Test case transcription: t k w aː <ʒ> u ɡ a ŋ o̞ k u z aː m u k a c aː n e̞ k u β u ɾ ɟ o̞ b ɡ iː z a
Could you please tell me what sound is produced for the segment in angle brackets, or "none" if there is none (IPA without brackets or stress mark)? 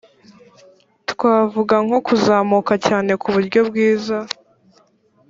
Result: v